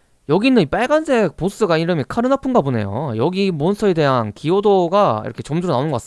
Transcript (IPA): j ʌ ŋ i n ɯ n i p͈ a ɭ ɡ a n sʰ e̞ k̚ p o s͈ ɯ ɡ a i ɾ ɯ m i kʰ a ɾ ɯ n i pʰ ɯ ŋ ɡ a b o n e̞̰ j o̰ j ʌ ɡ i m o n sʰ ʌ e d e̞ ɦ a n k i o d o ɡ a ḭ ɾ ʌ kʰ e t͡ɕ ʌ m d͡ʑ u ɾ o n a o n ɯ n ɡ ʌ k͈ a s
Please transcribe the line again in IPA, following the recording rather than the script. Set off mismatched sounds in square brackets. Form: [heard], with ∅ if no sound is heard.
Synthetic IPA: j ʌ [ɡ] i n ɯ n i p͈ a ɭ ɡ a n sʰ e̞ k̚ p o s͈ ɯ ɡ a i ɾ ɯ m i kʰ a ɾ ɯ n [a] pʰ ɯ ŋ ɡ a b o n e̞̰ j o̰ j ʌ ɡ i m o n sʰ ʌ e d e̞ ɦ a n k i o d o ɡ a ḭ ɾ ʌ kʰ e t͡ɕ ʌ m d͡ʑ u ɾ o n a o n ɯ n ɡ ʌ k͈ a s

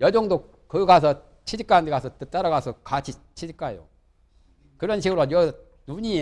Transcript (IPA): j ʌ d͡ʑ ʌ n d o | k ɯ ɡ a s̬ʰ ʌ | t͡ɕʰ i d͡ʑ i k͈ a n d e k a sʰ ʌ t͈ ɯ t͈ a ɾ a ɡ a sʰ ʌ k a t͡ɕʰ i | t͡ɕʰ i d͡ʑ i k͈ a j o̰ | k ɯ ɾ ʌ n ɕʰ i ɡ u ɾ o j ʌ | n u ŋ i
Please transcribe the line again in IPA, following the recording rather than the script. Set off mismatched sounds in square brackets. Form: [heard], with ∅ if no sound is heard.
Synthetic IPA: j ʌ d͡ʑ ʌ [ŋ] d o | k ɯ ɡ a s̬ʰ ʌ | t͡ɕʰ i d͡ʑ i k͈ a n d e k a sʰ ʌ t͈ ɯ t͈ a ɾ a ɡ a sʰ ʌ k a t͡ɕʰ i | t͡ɕʰ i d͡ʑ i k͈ a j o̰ | k ɯ ɾ ʌ n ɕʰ i ɡ [ɯ] ɾ o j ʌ | n u [ɲ] i

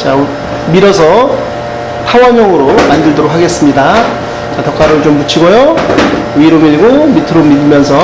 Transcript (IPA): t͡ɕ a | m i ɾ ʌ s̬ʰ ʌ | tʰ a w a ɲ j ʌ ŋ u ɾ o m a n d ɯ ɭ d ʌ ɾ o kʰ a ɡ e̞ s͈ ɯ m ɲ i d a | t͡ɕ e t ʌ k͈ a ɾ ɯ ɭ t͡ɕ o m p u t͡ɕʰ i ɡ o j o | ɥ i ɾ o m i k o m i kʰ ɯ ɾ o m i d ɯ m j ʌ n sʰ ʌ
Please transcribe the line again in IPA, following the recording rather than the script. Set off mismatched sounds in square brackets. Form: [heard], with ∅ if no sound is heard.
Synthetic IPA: t͡ɕ a | m i ɾ ʌ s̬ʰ ʌ | tʰ a w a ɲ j ʌ ŋ [ɯ] ɾ o m a n d ɯ ɭ d ʌ ɾ o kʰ a ɡ e̞ s͈ ɯ m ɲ i d a | t͡ɕ [a] t ʌ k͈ a ɾ ɯ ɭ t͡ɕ o m p u t͡ɕʰ i ɡ o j o | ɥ i ɾ o m i [ɡ] o m i [tʰ] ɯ ɾ o m i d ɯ m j ʌ n sʰ ʌ

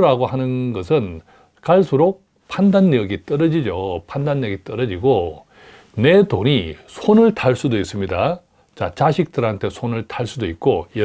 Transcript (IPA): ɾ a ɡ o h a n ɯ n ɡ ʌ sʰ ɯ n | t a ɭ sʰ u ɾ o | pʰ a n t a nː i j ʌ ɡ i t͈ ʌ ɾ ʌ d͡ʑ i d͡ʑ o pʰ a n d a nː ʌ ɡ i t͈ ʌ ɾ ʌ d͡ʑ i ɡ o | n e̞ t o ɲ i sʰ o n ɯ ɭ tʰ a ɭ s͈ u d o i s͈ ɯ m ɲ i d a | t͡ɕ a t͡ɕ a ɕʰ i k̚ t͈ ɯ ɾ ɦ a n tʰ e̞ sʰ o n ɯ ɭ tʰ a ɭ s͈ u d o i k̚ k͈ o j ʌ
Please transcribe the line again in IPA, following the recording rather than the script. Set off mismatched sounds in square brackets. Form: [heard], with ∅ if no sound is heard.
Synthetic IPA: ɾ a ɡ o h a n ɯ n ɡ ʌ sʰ ɯ n | [k] a ɭ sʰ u ɾ o | pʰ a n [d] a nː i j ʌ ɡ i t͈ ʌ ɾ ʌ d͡ʑ i d͡ʑ o pʰ a n d a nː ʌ ɡ i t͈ ʌ ɾ ʌ d͡ʑ i ɡ o | n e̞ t o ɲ i sʰ o n ɯ ɭ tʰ a ɭ s͈ u d o i s͈ ɯ m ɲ i d a | t͡ɕ a t͡ɕ a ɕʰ i k̚ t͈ ɯ ɾ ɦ a n tʰ e̞ sʰ o n ɯ ɭ tʰ a ɭ s͈ u d o i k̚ k͈ o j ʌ

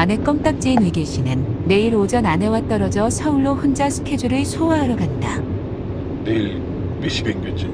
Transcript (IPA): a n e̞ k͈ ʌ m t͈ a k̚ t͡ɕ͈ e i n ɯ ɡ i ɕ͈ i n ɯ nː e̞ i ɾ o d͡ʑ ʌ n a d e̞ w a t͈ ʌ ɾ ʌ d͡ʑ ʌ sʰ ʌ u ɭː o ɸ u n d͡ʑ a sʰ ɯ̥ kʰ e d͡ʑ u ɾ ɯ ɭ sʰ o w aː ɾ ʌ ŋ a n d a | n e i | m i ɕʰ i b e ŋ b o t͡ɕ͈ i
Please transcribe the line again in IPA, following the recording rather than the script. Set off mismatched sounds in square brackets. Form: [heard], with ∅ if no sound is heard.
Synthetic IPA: a n e̞ k͈ ʌ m t͈ a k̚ t͡ɕ͈ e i n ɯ ɡ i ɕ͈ i n ɯ nː e̞ i ɾ o d͡ʑ ʌ n a [n] e̞ w a t͈ ʌ ɾ ʌ d͡ʑ ʌ sʰ ʌ u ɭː o ɸ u n d͡ʑ a sʰ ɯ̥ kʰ e d͡ʑ u ɾ ɯ ɭ sʰ o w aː ɾ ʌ [ɡ] a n d a | n e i | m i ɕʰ i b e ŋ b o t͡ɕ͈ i

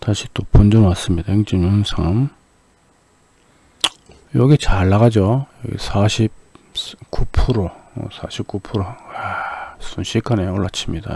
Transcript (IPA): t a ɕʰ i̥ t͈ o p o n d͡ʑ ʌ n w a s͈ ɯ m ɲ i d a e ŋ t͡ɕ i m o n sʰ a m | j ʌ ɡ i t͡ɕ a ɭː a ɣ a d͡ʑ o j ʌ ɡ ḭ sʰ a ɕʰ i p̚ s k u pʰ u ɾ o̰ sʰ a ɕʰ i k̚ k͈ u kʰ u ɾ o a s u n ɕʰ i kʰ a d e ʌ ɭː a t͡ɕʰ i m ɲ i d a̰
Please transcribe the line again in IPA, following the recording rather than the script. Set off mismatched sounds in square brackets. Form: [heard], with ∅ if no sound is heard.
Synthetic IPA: t a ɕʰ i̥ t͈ o p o n d͡ʑ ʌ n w a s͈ ɯ m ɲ i d a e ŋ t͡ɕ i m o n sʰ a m | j ʌ ɡ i t͡ɕ a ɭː a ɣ a d͡ʑ o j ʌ ɡ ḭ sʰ a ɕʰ i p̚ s k u pʰ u ɾ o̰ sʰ a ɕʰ i [p̚] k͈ u [pʰ] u ɾ o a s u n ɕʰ i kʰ a [n] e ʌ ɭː a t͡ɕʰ i m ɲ i d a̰

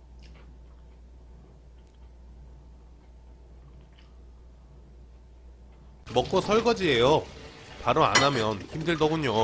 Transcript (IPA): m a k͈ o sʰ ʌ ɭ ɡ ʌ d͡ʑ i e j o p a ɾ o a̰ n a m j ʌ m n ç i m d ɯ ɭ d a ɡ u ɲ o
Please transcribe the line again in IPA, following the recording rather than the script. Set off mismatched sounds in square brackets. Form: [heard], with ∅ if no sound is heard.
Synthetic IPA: m [ʌ] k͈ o sʰ ʌ ɭ ɡ ʌ d͡ʑ i e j o p a ɾ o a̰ n a m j ʌ [∅] n ç i m d ɯ ɭ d [ʌ] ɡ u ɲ o

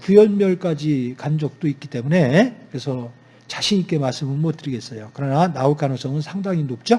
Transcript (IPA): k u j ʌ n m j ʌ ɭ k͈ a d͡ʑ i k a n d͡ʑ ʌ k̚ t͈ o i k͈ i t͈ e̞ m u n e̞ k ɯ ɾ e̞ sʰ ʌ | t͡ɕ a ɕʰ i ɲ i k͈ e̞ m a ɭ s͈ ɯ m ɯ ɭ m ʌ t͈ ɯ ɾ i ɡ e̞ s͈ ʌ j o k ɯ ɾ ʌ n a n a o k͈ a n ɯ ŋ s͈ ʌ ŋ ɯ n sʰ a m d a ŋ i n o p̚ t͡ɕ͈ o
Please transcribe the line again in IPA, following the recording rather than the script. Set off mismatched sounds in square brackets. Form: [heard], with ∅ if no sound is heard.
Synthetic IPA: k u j ʌ n m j ʌ ɭ k͈ a d͡ʑ i k a n d͡ʑ ʌ k̚ t͈ o i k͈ i t͈ e̞ m u n e̞ k ɯ ɾ e̞ sʰ ʌ | t͡ɕ a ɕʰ i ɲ i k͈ e̞ m a ɭ s͈ ɯ m ɯ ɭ m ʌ t͈ ɯ ɾ i ɡ e̞ s͈ ʌ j o k ɯ ɾ ʌ n a n a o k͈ a n ɯ ŋ s͈ ʌ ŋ ɯ n sʰ a [ŋ] d a ŋ i n o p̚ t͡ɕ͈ o

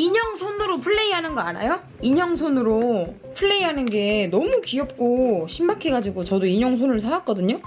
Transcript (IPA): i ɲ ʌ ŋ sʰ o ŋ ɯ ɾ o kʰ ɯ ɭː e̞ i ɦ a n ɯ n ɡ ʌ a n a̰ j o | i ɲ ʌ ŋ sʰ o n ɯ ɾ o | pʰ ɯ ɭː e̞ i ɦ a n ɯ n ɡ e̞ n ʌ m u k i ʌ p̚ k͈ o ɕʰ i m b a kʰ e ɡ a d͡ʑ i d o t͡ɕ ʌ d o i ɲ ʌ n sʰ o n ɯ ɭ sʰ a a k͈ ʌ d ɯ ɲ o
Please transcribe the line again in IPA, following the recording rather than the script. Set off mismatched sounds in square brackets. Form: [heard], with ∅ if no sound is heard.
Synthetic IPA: i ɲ ʌ ŋ sʰ o [n] ɯ ɾ o [pʰ] ɯ ɭː e̞ i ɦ a n ɯ n ɡ ʌ a n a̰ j o | i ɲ ʌ ŋ sʰ o n ɯ ɾ o | pʰ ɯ ɭː e̞ i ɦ a n ɯ n ɡ e̞ n ʌ m u k i ʌ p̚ k͈ o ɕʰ i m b a kʰ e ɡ a d͡ʑ i [ɡ] o t͡ɕ ʌ d o i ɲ ʌ [ŋ] sʰ o n ɯ ɭ sʰ a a k͈ ʌ d ɯ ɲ o

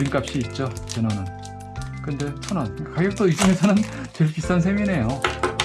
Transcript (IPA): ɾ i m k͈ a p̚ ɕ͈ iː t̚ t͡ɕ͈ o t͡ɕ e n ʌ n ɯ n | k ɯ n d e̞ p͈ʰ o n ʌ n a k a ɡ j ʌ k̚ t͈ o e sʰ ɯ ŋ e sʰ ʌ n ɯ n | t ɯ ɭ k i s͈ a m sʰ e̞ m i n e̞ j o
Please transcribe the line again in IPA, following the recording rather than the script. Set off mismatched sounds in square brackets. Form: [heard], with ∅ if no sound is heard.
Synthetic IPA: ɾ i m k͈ a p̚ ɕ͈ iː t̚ t͡ɕ͈ o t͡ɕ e n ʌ n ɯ n | k ɯ n d e̞ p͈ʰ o n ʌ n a k a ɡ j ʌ k̚ t͈ o [i] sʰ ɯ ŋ e sʰ ʌ n ɯ n | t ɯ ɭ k i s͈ a [n] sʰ e̞ m i n e̞ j o

